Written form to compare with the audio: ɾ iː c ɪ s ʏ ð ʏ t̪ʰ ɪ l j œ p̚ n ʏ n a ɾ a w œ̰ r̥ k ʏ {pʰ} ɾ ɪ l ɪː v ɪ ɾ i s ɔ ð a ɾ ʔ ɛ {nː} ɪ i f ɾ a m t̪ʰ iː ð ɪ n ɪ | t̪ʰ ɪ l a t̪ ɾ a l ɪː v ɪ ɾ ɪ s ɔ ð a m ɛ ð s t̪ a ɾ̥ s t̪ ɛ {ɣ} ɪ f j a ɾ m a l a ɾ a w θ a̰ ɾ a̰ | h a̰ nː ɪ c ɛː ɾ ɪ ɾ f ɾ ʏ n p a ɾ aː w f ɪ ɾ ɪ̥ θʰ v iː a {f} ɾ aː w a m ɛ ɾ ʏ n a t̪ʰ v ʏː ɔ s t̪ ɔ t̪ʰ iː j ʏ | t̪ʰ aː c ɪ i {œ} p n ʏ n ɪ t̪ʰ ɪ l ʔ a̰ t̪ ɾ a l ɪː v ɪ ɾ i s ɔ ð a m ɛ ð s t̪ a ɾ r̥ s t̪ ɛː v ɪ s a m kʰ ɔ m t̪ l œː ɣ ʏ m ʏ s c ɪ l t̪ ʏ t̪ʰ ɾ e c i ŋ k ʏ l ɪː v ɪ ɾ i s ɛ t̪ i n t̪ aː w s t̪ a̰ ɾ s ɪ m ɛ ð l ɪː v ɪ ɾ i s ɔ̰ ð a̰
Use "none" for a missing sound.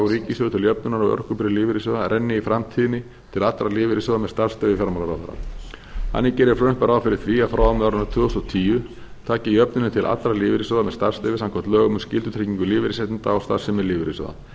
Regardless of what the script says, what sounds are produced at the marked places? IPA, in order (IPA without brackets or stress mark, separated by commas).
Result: p, nː, v, f, œ